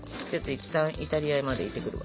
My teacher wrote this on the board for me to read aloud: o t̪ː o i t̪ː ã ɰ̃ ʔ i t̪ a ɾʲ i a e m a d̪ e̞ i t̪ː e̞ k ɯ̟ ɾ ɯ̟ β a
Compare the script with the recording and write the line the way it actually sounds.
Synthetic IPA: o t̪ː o i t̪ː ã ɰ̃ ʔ i t̪ a ɾʲ i a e m a d̪ e̞ i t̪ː e̞ k ɯ̟ ɾ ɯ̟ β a